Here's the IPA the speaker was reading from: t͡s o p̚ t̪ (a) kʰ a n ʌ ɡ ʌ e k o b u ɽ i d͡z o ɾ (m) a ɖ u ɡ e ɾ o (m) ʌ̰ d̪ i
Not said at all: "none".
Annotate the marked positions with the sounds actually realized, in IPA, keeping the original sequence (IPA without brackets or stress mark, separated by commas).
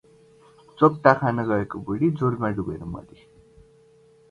a, m, m